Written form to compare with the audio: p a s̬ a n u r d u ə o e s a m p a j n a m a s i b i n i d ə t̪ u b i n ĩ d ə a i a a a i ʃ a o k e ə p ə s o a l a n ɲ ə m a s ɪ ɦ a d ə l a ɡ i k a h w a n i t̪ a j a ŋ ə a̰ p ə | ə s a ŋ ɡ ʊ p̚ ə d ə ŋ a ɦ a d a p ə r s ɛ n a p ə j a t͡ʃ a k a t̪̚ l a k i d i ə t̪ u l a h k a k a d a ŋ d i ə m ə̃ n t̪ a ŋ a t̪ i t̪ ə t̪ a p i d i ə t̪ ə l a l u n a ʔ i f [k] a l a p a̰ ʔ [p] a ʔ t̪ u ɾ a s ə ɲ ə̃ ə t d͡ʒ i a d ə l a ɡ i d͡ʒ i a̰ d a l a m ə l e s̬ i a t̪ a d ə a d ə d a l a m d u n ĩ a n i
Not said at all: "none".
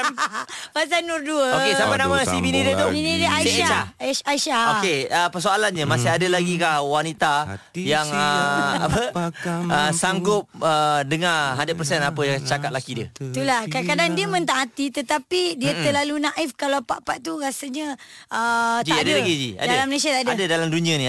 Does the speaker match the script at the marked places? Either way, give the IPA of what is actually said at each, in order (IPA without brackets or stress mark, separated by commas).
k, p